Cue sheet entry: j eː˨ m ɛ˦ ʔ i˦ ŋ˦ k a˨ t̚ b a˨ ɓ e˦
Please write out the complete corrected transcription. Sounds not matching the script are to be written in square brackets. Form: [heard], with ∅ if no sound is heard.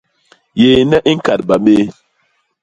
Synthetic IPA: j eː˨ [n] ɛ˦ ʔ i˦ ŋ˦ k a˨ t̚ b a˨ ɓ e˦